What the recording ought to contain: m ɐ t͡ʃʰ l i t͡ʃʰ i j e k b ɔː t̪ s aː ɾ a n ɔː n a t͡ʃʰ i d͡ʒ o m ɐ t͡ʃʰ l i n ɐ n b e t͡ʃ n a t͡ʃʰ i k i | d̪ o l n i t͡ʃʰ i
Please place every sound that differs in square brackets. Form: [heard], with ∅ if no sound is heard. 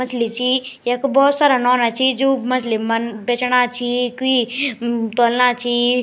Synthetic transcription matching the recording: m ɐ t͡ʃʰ l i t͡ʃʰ i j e k b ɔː t̪ s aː ɾ a n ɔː n a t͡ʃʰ i d͡ʒ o m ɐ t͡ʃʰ l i [m] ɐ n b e t͡ʃ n a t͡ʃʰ i k i | [t̪] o l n [a] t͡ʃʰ i